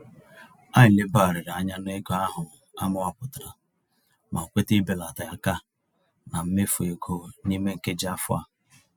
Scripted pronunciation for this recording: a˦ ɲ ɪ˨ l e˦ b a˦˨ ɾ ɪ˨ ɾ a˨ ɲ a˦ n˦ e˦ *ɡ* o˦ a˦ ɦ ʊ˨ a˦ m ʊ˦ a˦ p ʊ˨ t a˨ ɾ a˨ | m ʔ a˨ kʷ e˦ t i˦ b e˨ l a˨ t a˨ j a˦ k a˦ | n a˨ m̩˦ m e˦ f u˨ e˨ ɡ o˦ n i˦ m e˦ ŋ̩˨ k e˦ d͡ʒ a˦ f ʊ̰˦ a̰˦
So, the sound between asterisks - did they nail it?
yes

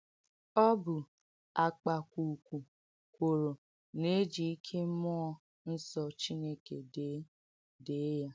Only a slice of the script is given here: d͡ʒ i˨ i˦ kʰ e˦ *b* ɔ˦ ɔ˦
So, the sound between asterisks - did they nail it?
no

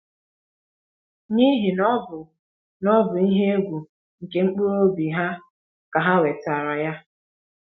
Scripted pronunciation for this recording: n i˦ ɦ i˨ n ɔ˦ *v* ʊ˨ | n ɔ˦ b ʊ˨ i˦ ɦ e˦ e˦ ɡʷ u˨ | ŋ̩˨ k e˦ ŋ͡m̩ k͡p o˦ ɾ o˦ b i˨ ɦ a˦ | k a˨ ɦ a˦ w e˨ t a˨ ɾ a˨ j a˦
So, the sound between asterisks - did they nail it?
no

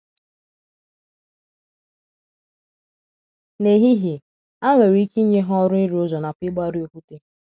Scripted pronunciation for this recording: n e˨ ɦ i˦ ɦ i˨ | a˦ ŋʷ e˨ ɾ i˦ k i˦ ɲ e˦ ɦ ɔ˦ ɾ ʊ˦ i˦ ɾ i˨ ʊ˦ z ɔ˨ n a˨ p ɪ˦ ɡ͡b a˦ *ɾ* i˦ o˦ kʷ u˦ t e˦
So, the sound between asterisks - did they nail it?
yes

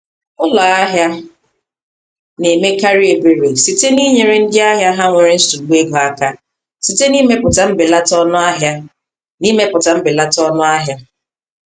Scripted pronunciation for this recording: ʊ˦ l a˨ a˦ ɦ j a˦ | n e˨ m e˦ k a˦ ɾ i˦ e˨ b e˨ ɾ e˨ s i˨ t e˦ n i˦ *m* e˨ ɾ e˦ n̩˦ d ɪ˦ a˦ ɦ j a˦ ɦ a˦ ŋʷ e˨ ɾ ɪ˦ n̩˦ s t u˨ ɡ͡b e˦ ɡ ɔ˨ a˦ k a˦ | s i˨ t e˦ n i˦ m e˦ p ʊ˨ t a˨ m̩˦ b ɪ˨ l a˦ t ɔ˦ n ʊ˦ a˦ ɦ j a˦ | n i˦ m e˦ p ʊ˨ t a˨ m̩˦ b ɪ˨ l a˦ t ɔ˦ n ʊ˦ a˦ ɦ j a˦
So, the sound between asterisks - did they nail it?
no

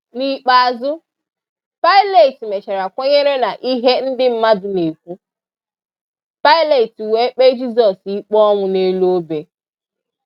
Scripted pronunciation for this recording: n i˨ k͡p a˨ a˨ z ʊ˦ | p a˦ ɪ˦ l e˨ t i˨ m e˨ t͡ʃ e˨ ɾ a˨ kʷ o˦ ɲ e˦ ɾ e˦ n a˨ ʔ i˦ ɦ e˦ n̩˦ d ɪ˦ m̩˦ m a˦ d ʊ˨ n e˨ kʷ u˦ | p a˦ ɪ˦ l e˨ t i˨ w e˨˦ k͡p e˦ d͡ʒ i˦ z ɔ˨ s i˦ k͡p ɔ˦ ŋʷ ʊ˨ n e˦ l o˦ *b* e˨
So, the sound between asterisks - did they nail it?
yes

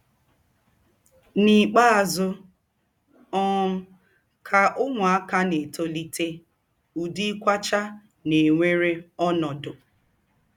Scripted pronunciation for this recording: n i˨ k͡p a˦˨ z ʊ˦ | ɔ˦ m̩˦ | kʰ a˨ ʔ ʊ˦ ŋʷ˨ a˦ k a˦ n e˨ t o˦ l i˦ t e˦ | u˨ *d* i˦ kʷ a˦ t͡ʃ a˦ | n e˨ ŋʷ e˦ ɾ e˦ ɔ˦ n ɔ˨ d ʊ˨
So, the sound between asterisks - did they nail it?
yes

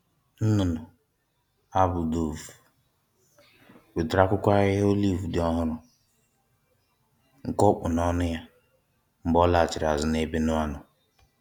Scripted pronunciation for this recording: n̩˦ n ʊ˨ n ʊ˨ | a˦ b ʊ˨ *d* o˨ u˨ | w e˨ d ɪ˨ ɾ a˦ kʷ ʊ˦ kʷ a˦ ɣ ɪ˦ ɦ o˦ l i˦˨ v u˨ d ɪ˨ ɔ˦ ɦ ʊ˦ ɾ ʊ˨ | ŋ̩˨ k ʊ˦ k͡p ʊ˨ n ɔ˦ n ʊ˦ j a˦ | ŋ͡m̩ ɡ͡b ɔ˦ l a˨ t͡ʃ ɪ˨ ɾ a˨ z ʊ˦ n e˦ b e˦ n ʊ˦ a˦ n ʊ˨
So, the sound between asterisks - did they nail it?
yes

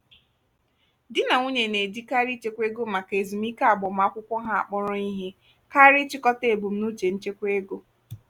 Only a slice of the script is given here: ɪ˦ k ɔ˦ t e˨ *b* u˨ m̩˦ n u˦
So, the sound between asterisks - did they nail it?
yes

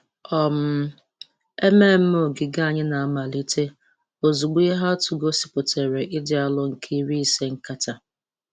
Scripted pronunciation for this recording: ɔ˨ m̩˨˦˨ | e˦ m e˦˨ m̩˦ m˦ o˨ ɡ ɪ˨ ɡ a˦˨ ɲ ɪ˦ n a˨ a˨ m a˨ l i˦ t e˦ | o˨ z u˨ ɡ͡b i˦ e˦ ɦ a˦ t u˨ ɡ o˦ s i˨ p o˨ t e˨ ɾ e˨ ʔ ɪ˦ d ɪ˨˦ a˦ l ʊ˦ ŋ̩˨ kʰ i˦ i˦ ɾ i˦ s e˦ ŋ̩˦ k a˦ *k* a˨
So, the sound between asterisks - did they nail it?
no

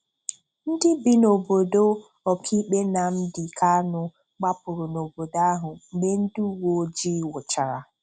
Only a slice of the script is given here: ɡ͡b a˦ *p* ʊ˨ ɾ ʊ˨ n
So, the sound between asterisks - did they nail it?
yes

